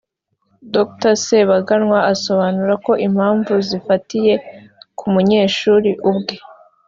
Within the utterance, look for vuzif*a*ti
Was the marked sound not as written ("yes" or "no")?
no